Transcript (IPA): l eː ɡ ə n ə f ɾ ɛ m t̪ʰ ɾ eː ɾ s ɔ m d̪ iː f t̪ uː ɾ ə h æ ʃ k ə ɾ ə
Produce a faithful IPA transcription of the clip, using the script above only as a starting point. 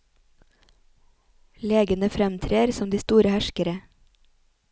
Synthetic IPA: l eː ɡ ə n ə f ɾ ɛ m t̪ʰ ɾ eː ɾ s ɔ m d̪ iː s t̪ uː ɾ ə h æ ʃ k ə ɾ ə